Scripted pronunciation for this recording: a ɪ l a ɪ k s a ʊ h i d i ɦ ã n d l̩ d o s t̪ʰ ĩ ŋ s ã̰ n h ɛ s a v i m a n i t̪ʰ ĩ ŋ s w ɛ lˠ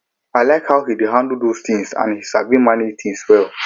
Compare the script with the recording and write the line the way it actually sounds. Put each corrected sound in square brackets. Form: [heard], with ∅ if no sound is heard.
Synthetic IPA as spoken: a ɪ l a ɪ k [h] a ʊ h i d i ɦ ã n d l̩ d o s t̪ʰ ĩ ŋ s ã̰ n h [i] s a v i m a n i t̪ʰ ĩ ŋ s w ɛ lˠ